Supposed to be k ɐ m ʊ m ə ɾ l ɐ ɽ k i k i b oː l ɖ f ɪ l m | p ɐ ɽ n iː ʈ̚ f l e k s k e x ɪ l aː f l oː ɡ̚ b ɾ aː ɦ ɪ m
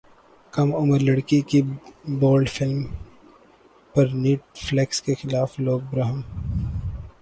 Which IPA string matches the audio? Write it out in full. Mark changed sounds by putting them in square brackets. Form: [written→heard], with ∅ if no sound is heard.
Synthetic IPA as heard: k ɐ m ʊ m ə ɾ l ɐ ɽ k i k i b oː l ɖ f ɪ l m | p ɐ [ɽ→ɾ] n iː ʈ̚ f l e k s k e x ɪ l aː f l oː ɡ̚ b ɾ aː ɦ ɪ m